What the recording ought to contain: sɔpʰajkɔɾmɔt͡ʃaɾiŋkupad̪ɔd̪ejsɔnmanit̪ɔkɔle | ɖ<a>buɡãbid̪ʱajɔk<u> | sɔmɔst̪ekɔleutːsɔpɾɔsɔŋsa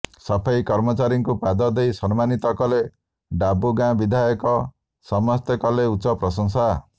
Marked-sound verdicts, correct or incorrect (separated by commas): correct, incorrect